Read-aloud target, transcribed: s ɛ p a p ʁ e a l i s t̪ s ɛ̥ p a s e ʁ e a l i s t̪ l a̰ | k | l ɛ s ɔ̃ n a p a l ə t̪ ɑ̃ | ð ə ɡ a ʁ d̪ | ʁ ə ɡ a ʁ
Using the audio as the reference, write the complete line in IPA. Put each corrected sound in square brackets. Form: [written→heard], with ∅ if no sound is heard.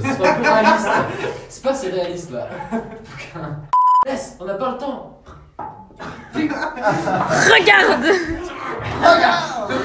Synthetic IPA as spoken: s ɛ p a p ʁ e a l i s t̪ s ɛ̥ p a s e ʁ e a l i s t̪ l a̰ | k | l ɛ s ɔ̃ n a p a l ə t̪ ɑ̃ | [ð→ʁ] ə ɡ a ʁ d̪ | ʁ ə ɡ a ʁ